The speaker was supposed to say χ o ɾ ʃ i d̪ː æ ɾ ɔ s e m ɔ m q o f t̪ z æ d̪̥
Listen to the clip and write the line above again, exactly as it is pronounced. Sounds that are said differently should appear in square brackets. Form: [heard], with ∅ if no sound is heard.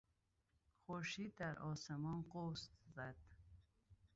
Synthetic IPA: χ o ɾ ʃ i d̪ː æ ɾ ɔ s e m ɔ [n] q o [s] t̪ z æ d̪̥